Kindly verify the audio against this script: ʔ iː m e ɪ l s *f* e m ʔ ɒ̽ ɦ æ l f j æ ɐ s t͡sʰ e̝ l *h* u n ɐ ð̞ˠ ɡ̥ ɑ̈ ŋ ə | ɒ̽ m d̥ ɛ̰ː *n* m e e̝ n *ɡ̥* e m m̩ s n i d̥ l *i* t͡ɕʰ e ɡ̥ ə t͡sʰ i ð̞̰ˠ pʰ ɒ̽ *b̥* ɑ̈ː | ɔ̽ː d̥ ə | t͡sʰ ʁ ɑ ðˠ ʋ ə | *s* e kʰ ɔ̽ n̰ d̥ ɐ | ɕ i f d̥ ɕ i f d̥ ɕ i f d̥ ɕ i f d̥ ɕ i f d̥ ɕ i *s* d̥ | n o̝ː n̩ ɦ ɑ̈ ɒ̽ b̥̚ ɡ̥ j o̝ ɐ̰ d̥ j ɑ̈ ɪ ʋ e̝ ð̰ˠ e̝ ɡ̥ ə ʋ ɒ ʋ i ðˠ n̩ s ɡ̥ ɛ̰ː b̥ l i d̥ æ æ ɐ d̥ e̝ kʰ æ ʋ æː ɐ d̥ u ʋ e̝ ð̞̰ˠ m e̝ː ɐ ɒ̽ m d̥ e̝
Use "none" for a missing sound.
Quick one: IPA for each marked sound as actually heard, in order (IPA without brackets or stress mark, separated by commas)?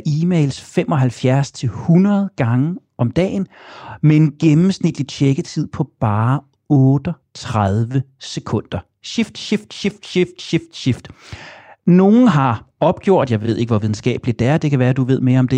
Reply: f, h, n, ɡ̥, i, b̥, s, f